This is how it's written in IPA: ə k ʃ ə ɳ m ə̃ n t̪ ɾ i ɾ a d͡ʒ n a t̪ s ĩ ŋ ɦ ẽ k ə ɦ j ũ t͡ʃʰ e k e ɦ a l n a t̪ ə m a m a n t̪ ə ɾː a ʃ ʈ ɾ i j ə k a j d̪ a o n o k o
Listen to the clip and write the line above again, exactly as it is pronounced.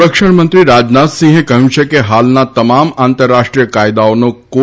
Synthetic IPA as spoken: ə k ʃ ə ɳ m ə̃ n t̪ ɾ i ɾ a d͡ʒ n a t̪ s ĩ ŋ ɦ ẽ k ə ɦ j ũ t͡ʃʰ e k e ɦ a l n a t̪ ə m a m a n t̪ ə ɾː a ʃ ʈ ɾ i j ə k a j d̪ a o n o k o